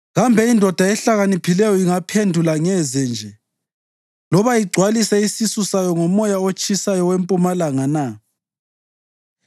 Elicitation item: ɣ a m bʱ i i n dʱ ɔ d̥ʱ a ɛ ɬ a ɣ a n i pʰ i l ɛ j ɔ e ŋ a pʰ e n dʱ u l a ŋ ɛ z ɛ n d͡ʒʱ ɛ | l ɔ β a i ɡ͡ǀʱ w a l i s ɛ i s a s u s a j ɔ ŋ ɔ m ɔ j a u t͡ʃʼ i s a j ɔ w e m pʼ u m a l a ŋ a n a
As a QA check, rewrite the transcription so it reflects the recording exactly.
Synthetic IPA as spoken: ɣ a m bʱ ɛ i n dʱ ɔ d̥ʱ a ɛ ɬ a ɣ a n i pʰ i l ɛ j ɔ i ŋ a pʰ e n dʱ u l a ŋ ɛ z ɛ n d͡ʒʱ ɛ | l ɔ β a i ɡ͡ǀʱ w a l i s ɛ i s i s u s a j ɔ ŋ ɔ m ɔ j a o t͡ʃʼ i s a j ɔ w e m pʼ u m a l a ŋ a n a